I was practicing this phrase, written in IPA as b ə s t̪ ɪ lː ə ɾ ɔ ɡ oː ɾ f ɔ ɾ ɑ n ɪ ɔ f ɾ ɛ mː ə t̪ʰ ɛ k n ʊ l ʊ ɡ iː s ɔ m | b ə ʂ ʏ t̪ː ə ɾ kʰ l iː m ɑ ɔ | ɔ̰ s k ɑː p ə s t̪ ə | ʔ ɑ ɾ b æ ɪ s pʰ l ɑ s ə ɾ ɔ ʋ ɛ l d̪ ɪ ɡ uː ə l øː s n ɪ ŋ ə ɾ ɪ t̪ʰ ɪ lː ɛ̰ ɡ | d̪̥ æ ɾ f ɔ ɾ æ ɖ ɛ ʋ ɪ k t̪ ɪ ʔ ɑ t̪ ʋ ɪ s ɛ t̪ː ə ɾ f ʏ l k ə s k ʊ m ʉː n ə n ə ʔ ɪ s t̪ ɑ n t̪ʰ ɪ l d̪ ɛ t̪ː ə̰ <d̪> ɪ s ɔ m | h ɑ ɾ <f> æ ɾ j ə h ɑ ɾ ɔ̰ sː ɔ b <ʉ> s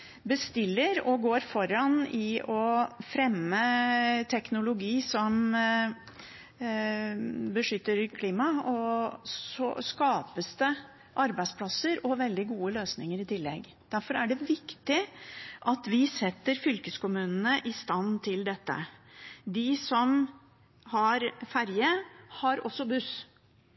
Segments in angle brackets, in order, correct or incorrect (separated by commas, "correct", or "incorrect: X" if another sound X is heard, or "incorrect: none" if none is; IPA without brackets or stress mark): correct, correct, correct